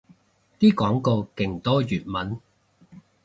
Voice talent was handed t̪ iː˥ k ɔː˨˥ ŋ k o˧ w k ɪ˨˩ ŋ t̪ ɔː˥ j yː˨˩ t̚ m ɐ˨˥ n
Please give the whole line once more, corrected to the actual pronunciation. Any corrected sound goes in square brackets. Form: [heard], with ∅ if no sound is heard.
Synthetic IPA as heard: t̪ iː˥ k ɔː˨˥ ŋ k o˧ w k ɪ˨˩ ŋ t̪ ɔː˥ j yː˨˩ t̚ m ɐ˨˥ n